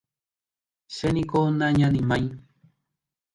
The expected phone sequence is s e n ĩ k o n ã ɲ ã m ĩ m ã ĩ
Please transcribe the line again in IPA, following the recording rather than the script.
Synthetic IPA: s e n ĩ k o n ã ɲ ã n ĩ m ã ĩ